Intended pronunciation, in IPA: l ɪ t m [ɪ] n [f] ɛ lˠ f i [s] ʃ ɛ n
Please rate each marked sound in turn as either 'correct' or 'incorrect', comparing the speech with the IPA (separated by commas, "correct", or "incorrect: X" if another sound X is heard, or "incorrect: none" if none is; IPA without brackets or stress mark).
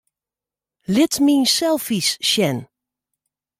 incorrect: i, incorrect: s, correct